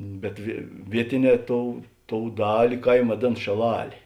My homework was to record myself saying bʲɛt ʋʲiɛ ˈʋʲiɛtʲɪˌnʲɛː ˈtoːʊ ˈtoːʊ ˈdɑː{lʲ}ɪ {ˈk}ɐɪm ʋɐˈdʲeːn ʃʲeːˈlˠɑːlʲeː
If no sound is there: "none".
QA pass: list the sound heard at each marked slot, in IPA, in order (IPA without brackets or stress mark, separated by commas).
lʲ, k